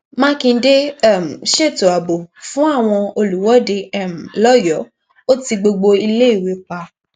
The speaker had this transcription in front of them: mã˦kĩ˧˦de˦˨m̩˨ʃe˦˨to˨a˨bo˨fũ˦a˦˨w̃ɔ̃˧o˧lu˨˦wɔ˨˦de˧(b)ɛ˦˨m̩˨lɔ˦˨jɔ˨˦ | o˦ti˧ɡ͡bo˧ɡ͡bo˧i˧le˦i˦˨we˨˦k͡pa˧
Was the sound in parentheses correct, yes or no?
no